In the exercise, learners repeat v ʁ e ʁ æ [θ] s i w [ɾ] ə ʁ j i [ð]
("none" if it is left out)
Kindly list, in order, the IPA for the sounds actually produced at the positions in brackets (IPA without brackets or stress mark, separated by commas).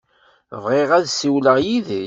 ð, l, ð